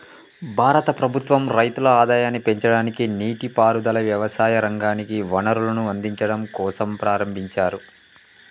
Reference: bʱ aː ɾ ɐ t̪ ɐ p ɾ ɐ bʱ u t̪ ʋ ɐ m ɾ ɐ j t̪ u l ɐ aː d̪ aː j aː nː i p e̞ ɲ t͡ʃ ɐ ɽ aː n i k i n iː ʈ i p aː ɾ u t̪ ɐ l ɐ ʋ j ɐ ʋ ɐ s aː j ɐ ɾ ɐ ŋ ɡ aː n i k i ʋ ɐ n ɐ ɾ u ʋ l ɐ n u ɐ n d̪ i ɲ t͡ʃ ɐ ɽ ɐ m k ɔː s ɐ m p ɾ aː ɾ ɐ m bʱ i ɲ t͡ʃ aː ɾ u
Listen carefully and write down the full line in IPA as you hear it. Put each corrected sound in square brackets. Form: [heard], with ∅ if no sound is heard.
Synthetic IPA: bʱ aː ɾ ɐ t̪ ɐ p ɾ ɐ bʱ u t̪ ʋ ɐ m ɾ ɐ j t̪ u l ɐ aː d̪ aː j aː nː i p e̞ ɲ t͡ʃ ɐ ɽ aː n i k i n iː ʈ i p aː ɾ u [d̪] ɐ l ɐ ʋ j ɐ ʋ ɐ s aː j ɐ ɾ ɐ ŋ ɡ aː n i k i ʋ ɐ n ɐ ɾ u [∅] l ɐ n u ɐ n d̪ i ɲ t͡ʃ ɐ ɽ ɐ m k ɔː s ɐ m p ɾ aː ɾ ɐ m bʱ i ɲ t͡ʃ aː ɾ u